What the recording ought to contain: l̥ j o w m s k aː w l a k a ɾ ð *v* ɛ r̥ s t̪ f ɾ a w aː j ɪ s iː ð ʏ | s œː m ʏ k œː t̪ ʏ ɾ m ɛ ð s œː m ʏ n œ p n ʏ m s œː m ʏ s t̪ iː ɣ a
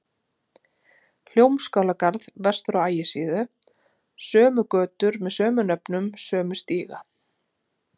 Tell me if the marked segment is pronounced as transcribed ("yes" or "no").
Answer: yes